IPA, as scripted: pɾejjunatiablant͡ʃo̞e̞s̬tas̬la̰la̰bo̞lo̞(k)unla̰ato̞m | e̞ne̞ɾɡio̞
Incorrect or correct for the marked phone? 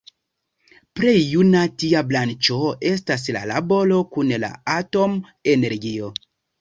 correct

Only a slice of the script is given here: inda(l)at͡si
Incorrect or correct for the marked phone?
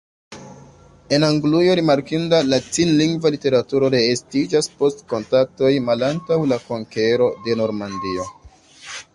correct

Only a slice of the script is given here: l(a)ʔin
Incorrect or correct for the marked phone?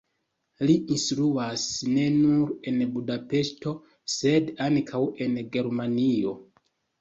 incorrect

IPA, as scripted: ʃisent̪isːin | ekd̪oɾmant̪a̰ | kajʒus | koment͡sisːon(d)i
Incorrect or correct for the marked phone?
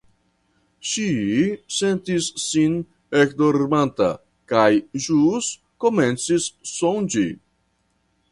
incorrect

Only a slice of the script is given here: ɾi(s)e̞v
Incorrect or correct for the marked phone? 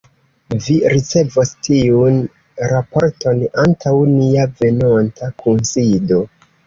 incorrect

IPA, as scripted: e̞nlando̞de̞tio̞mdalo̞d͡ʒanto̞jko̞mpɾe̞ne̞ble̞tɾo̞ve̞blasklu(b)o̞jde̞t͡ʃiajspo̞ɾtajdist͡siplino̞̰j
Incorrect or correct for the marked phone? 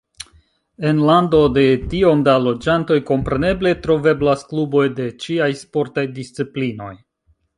correct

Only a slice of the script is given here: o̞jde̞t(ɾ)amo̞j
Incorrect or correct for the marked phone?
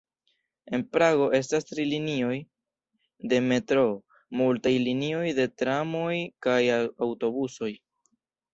correct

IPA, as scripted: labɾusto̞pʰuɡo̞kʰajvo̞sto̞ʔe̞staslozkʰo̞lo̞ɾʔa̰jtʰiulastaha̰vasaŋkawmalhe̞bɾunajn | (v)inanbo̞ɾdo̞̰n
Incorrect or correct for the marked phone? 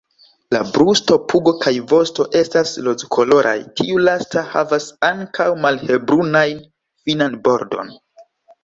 incorrect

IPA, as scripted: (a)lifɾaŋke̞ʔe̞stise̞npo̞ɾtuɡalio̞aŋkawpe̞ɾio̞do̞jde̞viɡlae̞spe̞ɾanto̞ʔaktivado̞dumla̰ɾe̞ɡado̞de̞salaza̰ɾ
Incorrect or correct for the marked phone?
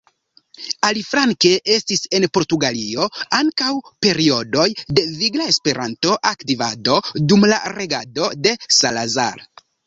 correct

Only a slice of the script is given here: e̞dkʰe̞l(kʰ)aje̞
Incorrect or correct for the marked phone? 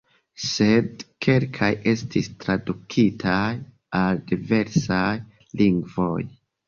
correct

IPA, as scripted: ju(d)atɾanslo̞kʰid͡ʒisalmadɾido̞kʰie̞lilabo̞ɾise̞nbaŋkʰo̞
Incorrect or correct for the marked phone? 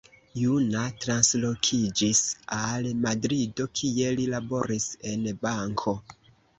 incorrect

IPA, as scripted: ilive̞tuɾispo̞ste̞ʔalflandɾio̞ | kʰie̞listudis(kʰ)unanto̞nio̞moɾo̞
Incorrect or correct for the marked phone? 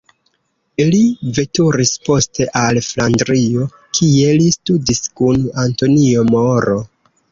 incorrect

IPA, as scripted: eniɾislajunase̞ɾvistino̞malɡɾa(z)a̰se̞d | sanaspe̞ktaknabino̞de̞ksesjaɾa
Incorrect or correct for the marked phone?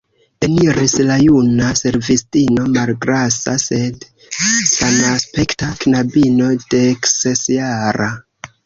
incorrect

